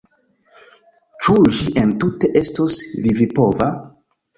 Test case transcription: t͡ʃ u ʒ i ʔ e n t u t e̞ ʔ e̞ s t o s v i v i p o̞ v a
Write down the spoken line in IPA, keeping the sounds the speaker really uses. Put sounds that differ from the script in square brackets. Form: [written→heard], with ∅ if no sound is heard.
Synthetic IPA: t͡ʃ u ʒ i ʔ e n t u t e̞ ʔ e̞ s t o s v i v i p o̞ v a